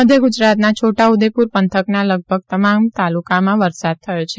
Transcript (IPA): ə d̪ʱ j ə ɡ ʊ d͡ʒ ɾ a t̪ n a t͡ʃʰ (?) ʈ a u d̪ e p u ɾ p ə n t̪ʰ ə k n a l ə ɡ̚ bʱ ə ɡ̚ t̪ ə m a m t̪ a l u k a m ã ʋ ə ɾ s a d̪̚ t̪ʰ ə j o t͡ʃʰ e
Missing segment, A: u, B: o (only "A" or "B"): B